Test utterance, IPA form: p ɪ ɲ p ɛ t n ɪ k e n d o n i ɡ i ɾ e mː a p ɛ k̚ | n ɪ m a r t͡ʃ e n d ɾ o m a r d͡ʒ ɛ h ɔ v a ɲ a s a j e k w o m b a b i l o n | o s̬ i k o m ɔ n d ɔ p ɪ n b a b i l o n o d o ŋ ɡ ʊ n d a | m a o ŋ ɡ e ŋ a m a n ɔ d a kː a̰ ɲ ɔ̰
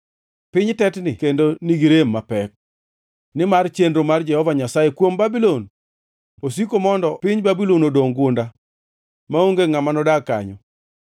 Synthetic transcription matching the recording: p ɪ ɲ t ɛ t n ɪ k e n d o n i ɡ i ɾ e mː a p ɛ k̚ | n ɪ m a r t͡ʃ e n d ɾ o m a r d͡ʒ ɛ h ɔ v a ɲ a s a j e k w o m b a b i l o n | o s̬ i k o m ɔ n d ɔ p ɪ ɲ b a b i l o n o d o ŋ ɡ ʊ n d a | m a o ŋ ɡ e ŋ a m a n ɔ d a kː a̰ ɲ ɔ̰